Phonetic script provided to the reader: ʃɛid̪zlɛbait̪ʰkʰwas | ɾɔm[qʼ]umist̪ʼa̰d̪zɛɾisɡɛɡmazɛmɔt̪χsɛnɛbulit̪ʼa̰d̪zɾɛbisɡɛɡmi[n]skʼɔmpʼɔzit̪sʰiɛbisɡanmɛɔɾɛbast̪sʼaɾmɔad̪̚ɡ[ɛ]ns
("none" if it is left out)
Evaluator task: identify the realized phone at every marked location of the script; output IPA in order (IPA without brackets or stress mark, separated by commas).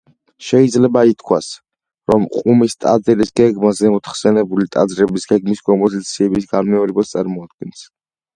qʼ, none, ɛ